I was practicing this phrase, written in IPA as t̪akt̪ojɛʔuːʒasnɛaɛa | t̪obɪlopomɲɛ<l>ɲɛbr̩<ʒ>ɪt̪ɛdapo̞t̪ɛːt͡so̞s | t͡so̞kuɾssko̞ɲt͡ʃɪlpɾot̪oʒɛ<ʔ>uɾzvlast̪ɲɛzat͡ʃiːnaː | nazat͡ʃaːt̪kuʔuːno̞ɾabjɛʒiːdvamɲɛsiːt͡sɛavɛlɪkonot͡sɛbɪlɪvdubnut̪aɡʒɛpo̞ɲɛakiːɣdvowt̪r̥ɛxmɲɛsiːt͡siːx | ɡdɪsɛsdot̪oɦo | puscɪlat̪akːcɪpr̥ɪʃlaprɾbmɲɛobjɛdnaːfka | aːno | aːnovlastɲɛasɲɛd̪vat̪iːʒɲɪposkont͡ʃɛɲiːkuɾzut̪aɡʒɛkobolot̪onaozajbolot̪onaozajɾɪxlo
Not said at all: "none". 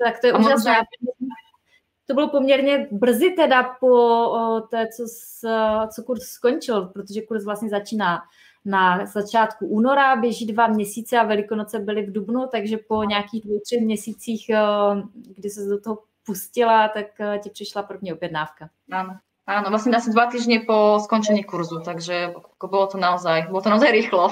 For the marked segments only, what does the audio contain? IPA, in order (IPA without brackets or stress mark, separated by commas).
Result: ɾ, z, k